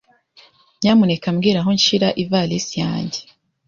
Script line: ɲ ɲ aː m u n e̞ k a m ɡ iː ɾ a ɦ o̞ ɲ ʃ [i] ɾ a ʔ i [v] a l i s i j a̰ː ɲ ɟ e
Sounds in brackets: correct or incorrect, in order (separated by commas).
correct, correct